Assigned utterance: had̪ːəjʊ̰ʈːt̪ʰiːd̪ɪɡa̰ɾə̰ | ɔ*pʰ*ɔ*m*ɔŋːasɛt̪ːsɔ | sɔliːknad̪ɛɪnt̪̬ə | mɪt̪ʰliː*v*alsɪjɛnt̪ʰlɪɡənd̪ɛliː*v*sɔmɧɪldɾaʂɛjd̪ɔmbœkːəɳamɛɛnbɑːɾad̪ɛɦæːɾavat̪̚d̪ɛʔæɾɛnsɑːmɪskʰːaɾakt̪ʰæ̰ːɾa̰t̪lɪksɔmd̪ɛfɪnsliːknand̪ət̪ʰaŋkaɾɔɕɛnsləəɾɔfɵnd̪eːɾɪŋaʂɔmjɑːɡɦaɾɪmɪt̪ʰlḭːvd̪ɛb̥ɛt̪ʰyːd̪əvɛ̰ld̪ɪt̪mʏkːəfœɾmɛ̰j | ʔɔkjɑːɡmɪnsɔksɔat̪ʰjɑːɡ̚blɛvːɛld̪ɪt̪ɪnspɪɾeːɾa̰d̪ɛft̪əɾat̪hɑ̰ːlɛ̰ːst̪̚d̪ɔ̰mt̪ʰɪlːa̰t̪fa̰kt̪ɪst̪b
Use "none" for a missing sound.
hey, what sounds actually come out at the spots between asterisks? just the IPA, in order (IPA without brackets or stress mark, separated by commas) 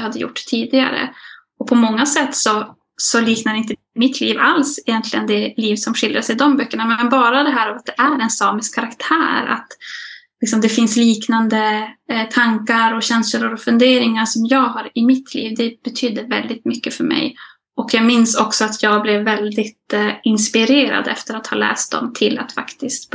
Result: pʰ, m, v, v